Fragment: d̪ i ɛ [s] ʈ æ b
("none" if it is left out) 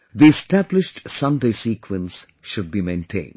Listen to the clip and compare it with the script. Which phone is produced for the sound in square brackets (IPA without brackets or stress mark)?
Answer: s